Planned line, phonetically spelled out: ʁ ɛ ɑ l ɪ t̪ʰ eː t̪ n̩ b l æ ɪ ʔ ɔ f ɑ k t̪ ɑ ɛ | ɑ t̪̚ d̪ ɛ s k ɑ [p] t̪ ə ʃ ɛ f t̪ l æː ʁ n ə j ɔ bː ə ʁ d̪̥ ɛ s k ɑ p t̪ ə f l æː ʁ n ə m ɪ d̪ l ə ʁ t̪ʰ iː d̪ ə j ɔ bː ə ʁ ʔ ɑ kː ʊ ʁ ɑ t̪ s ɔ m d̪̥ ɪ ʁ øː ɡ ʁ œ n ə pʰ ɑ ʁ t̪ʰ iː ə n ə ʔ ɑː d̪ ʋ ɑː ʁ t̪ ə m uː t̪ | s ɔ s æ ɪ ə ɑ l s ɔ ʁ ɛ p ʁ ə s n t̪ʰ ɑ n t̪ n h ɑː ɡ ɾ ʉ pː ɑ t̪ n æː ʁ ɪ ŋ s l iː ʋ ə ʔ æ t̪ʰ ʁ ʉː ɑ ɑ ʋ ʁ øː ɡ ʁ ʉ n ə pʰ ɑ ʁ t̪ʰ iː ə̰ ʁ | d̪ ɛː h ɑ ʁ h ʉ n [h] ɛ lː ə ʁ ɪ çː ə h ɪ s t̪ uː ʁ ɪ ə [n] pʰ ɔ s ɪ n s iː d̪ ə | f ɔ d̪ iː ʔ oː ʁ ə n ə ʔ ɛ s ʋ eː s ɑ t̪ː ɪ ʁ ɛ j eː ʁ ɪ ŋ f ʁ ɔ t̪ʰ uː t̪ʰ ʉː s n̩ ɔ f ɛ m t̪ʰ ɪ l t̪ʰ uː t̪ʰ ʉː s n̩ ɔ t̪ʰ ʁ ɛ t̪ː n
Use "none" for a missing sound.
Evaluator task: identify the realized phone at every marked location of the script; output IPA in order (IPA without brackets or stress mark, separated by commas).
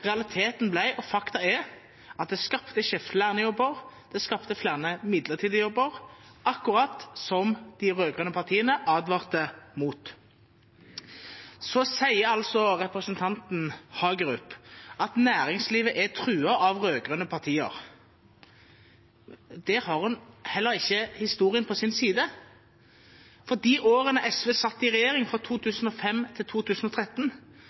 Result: p, h, n